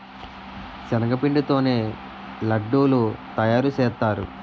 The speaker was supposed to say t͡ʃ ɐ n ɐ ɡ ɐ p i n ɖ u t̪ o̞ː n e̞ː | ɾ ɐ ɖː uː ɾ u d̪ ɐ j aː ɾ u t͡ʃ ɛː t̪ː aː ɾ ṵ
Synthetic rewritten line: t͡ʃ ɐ n ɐ ɡ ɐ p i ɳ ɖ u t̪ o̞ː n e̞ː | l ɐ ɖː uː l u t̪ ɐ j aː ɾ u t͡ʃ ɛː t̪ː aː ɾ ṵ